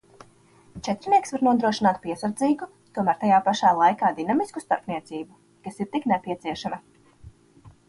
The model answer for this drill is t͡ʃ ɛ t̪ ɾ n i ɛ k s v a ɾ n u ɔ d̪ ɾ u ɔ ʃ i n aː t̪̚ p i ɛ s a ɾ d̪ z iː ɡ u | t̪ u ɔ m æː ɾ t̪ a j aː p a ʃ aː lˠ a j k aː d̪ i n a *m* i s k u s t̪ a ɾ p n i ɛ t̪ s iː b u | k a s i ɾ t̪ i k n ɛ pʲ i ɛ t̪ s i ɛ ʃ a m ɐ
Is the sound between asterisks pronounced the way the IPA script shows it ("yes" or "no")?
yes